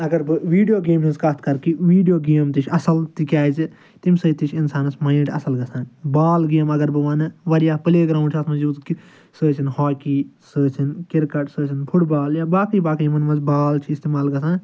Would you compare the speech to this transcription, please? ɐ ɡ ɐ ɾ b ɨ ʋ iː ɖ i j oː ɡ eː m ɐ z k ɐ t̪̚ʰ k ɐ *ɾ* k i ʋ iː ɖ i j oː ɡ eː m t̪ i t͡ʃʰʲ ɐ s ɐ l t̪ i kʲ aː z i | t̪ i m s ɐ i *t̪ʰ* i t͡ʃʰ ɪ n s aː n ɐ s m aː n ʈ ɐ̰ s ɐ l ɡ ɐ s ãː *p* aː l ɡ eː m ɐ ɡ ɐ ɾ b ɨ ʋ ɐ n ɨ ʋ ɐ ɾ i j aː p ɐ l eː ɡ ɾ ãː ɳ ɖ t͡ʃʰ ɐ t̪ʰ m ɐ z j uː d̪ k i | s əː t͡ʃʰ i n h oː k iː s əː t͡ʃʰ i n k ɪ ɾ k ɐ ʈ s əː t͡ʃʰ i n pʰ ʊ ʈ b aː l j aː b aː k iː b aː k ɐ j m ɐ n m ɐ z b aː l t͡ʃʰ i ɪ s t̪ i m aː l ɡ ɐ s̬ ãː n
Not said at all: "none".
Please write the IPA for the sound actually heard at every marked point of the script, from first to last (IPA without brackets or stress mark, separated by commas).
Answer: ɾ, t̪, b